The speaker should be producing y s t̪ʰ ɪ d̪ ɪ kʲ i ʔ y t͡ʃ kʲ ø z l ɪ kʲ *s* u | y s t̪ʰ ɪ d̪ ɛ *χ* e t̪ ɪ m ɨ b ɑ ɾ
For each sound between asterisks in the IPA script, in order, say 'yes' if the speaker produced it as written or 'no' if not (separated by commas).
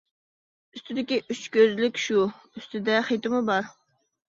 no, yes